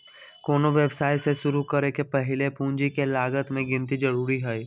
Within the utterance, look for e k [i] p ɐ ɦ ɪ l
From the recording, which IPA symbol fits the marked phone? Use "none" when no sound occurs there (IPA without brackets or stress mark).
e